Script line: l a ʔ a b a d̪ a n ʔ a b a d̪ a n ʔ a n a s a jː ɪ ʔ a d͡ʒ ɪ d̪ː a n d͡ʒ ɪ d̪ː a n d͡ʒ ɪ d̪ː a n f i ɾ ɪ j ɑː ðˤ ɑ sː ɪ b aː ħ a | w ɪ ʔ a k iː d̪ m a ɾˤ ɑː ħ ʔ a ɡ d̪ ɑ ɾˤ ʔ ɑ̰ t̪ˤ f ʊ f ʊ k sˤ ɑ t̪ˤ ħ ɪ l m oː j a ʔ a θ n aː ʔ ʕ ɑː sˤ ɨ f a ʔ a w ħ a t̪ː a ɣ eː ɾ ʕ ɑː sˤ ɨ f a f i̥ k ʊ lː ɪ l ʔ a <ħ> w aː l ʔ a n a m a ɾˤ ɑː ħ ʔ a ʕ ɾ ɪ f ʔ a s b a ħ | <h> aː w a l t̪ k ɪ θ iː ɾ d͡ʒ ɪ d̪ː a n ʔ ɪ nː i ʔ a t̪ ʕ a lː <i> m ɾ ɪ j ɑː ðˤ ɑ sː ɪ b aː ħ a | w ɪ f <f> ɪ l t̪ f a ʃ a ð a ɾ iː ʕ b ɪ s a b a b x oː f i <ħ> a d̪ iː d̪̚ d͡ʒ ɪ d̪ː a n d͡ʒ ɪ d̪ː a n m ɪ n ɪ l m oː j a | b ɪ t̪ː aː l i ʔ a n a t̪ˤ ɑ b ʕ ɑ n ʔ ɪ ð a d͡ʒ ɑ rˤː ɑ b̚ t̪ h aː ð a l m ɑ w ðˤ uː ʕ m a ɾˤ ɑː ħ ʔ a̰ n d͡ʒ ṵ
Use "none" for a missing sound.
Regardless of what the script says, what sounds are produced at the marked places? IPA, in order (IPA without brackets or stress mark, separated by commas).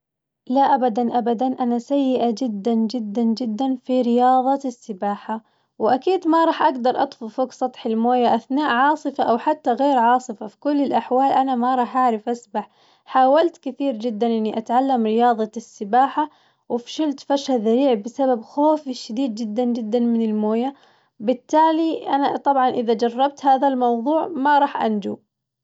ħ, ħ, a, ʃ, ʃ